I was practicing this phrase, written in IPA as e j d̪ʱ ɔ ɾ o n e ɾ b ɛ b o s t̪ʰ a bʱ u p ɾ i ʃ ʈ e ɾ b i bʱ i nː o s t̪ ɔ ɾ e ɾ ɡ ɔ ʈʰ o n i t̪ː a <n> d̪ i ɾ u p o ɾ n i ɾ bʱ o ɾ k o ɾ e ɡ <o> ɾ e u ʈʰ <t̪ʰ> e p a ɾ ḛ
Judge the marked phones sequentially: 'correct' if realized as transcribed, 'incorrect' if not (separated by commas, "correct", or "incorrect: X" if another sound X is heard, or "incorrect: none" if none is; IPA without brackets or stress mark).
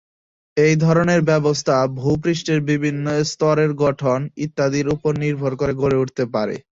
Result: incorrect: none, correct, incorrect: t̪